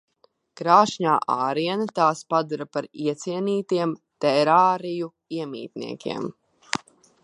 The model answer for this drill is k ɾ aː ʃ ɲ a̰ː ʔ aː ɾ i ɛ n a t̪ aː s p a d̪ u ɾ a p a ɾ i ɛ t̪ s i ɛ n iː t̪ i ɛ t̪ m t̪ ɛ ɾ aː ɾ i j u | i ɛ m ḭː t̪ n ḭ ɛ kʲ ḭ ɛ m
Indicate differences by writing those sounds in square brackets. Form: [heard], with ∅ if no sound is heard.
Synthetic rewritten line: k ɾ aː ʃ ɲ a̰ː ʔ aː ɾ i ɛ n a t̪ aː s p a d̪ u ɾ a p a ɾ i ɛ t̪ s i ɛ n iː t̪ i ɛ [∅] m t̪ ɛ ɾ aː ɾ i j u | i ɛ m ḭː t̪ n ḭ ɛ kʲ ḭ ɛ m